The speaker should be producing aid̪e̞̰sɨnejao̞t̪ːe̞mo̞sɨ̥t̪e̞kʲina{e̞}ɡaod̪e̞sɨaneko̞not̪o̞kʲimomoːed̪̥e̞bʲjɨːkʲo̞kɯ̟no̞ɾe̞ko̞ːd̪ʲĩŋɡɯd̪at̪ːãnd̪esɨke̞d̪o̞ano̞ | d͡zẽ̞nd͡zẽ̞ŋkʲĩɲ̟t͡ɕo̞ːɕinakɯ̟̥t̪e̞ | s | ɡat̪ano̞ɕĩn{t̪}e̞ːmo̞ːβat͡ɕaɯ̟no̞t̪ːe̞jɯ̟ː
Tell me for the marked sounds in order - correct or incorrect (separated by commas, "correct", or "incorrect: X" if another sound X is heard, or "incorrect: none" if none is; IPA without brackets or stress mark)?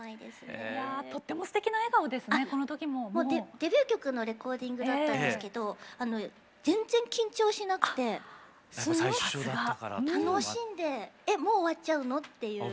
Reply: correct, incorrect: d̪